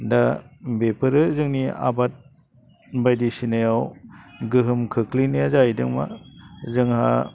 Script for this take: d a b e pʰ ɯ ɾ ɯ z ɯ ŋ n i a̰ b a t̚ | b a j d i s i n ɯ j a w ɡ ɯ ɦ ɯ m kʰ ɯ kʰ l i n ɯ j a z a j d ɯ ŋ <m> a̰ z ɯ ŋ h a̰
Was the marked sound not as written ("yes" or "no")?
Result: no